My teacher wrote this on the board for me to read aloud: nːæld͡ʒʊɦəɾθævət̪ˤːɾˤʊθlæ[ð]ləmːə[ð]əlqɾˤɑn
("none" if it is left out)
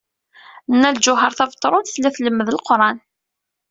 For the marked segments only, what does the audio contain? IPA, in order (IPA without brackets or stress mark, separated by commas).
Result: θ, ð